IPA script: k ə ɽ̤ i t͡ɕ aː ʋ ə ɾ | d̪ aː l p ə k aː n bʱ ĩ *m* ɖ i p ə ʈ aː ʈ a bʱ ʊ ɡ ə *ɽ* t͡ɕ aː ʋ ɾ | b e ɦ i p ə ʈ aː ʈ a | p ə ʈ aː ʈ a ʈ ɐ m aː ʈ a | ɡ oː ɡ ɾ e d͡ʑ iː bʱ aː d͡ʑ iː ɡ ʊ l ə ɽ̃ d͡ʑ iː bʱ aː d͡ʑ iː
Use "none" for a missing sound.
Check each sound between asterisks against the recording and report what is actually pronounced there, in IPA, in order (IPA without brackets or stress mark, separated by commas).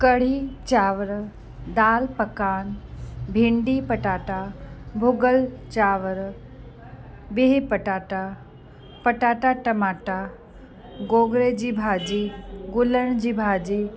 ɳ, l